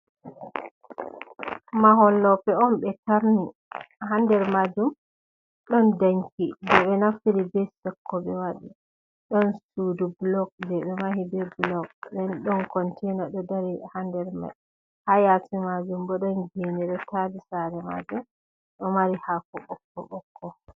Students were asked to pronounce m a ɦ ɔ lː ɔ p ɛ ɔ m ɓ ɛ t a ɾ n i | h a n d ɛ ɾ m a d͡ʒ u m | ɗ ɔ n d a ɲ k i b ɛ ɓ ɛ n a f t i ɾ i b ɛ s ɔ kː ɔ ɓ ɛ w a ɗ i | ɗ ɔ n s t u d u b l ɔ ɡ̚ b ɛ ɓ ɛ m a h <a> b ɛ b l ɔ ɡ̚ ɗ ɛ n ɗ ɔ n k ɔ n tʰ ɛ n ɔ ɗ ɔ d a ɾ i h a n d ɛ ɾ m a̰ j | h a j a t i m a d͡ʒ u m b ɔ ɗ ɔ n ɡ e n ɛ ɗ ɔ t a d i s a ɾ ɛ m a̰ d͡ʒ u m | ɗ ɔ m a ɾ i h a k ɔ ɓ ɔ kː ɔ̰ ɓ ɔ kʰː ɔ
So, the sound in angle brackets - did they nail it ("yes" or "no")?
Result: no